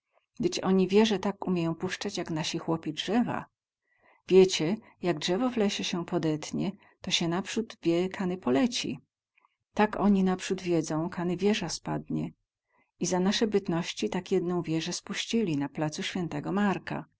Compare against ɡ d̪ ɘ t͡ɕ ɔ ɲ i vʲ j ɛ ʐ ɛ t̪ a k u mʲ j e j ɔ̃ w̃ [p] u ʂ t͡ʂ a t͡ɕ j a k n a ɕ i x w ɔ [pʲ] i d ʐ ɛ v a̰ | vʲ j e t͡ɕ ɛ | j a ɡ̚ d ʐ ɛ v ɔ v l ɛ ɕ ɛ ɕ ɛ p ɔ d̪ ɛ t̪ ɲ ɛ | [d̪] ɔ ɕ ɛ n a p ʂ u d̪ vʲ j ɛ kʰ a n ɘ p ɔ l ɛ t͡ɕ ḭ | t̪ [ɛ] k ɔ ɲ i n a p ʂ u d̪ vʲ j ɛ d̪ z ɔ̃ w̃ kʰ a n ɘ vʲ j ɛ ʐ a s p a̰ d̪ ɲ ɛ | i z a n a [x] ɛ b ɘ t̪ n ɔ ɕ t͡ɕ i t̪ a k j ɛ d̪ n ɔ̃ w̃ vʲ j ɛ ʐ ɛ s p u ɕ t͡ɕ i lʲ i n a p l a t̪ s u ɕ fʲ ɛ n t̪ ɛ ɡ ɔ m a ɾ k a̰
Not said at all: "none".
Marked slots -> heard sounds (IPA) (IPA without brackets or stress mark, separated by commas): p, pʲ, t̪, a, ʂ